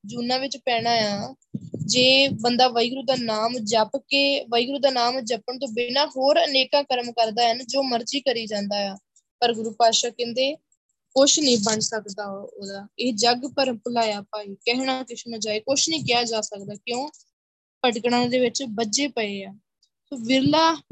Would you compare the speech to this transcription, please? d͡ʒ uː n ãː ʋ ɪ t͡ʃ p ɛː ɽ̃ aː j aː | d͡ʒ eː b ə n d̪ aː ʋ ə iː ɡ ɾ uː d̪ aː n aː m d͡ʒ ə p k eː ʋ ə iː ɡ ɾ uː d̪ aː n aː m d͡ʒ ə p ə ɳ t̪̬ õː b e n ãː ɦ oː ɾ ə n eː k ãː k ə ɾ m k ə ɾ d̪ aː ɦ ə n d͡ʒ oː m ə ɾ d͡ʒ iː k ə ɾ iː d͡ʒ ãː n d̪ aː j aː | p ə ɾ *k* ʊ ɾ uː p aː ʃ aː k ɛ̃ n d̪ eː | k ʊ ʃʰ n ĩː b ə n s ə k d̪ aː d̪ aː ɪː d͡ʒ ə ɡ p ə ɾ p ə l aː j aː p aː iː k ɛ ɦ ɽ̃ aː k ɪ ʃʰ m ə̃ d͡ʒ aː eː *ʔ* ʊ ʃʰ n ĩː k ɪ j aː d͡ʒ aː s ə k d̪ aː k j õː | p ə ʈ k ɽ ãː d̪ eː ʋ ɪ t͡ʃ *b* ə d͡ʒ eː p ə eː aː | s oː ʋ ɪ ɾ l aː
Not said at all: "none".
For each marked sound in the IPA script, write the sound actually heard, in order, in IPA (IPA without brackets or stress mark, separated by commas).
ɡ, k, b